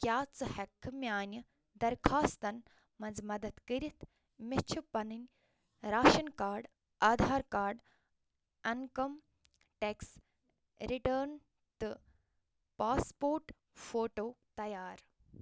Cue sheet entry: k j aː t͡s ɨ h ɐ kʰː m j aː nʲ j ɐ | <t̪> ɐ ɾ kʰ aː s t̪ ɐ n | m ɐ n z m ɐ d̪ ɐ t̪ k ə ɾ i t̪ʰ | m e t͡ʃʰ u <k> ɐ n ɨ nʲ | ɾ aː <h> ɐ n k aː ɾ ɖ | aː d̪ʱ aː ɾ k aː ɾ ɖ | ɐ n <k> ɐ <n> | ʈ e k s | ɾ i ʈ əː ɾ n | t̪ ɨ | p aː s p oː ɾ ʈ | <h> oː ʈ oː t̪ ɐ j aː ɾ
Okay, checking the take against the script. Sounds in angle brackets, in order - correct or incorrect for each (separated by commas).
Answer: incorrect, incorrect, incorrect, correct, incorrect, incorrect